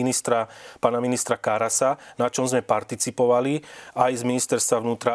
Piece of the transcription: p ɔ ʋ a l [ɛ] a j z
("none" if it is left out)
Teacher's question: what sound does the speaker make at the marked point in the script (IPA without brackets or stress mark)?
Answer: i